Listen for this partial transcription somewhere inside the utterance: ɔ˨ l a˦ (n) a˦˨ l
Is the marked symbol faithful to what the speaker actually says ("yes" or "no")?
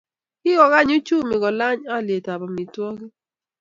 no